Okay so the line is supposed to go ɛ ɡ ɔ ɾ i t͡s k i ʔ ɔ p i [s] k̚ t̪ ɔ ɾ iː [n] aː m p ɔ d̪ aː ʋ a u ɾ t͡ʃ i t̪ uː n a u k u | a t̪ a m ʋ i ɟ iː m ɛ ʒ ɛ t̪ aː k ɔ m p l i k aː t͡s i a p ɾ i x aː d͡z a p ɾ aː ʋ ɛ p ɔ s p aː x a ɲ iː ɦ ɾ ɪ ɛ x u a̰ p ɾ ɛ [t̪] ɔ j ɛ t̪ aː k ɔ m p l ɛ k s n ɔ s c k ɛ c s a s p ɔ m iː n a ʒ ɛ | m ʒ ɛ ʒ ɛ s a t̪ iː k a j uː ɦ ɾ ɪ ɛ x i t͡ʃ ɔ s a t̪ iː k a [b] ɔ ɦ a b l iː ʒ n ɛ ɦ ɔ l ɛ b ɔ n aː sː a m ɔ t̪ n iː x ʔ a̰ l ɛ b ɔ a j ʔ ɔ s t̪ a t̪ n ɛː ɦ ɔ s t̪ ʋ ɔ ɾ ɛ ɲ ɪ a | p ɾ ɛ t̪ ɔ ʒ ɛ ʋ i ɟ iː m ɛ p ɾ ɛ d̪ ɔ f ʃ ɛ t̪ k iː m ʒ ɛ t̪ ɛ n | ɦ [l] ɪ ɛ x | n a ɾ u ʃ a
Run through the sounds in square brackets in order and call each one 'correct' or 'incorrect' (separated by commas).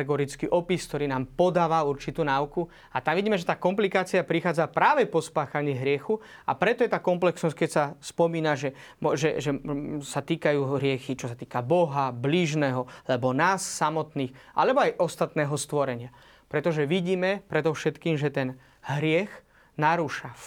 correct, correct, correct, correct, incorrect